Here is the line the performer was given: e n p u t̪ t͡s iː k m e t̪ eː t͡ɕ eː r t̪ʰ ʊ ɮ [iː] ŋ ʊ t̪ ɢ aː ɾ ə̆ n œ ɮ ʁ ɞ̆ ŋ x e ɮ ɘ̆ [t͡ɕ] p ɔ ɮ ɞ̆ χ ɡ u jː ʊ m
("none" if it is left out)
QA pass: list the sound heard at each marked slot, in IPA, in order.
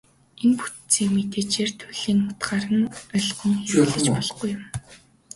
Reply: iː, t͡ɕ

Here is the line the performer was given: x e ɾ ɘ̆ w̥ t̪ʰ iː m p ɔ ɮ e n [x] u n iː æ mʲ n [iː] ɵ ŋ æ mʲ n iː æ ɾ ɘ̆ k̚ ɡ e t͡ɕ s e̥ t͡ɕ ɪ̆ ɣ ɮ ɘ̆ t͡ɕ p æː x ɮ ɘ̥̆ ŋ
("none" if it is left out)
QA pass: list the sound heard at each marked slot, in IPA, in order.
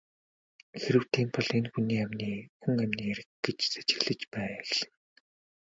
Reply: x, iː

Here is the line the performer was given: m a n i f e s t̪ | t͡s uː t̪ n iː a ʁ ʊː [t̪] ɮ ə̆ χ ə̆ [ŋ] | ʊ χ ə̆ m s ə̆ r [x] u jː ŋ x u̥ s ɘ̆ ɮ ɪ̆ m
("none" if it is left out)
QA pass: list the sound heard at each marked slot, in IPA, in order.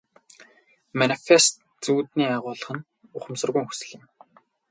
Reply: none, n, ɣ

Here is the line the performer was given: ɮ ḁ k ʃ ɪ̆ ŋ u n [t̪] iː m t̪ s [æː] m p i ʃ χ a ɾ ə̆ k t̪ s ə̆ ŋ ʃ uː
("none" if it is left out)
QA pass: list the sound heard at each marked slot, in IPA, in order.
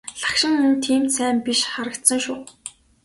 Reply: t̪ʰ, æː

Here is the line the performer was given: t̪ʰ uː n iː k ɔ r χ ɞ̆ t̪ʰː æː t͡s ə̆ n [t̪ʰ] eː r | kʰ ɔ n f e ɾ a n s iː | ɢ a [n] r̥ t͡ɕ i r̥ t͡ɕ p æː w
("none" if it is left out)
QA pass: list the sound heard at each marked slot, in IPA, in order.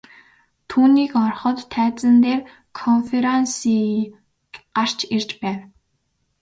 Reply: t̪, none

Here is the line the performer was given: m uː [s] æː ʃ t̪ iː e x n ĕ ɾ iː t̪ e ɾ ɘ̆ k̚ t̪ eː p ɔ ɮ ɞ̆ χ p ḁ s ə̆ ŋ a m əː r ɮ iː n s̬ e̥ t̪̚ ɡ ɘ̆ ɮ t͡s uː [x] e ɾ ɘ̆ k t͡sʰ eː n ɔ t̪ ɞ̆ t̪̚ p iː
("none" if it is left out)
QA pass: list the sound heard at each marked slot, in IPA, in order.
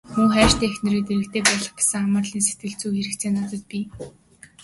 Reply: χ, x

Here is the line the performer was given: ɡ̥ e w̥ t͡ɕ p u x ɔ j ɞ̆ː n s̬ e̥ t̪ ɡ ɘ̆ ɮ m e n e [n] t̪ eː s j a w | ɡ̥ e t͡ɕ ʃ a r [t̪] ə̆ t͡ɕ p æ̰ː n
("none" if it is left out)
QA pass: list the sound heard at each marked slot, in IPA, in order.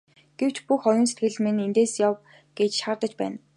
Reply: n, t̪

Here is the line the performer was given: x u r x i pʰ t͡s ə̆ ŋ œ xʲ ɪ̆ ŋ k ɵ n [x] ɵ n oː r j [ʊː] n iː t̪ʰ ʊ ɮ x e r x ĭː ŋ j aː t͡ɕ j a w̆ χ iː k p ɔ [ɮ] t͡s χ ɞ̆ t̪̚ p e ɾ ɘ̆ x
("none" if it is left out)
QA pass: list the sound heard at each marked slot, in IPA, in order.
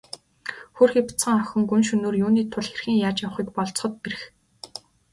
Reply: ʃ, uː, ɮ

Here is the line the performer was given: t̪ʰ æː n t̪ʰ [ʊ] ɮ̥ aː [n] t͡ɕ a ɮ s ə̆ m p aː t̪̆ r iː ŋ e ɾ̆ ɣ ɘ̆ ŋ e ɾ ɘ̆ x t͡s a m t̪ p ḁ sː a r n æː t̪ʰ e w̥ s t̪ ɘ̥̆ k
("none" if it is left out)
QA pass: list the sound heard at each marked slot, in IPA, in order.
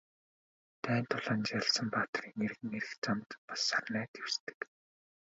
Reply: ʊ, n

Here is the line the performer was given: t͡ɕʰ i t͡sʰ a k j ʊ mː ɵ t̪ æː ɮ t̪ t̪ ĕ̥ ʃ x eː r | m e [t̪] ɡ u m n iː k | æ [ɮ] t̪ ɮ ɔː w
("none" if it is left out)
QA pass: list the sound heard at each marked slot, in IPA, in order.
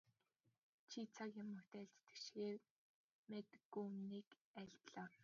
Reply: t̪, ɮ

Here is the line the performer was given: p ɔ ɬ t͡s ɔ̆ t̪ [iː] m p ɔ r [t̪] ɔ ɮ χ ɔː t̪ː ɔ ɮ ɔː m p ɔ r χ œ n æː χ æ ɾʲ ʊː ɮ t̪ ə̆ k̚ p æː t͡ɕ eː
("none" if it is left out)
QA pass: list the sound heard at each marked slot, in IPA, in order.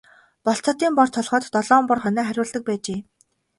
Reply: iː, t̪ʰ

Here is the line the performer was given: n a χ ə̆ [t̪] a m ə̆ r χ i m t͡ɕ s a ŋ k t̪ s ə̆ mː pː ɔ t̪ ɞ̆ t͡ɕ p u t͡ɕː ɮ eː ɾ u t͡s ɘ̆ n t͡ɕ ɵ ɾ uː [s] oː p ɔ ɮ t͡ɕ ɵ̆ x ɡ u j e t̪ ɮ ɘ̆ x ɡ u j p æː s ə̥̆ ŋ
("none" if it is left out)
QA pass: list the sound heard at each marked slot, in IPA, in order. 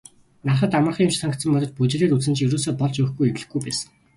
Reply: t̪, s

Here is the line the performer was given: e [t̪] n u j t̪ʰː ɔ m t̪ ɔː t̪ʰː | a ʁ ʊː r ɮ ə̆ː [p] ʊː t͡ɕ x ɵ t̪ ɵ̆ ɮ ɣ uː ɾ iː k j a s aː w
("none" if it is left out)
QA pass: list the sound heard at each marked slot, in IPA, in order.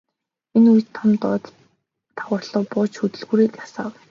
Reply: none, p

